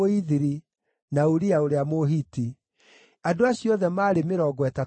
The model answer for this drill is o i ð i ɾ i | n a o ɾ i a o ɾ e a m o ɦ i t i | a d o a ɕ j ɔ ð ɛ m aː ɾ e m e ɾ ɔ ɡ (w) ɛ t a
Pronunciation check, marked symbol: correct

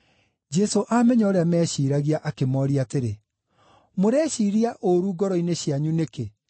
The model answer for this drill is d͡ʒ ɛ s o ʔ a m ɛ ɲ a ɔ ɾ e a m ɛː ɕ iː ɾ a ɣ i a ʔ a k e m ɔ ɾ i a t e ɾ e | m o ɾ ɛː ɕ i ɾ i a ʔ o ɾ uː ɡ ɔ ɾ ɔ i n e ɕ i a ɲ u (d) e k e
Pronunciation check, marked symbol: incorrect: n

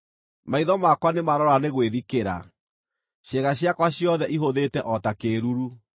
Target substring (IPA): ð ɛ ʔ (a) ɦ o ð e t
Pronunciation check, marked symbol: incorrect: i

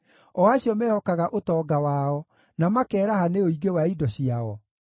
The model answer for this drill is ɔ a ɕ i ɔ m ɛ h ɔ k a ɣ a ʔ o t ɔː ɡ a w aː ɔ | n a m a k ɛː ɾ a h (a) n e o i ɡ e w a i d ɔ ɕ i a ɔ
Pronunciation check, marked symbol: correct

